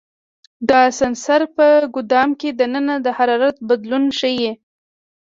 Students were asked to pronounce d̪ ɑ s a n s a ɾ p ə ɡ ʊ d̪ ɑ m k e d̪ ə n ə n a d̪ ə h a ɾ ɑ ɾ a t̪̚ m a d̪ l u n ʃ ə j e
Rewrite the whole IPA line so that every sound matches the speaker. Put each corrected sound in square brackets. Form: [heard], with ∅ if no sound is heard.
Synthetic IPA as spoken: d̪ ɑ s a n s a ɾ p ə ɡ ʊ d̪ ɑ m k e d̪ ə n ə n a d̪ ə h a ɾ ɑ ɾ a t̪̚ [b] a d̪ l u n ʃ ə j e